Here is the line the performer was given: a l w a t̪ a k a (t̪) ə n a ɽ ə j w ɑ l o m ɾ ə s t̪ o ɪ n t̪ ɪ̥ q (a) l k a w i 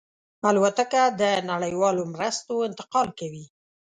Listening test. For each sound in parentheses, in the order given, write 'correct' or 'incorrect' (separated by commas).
incorrect, incorrect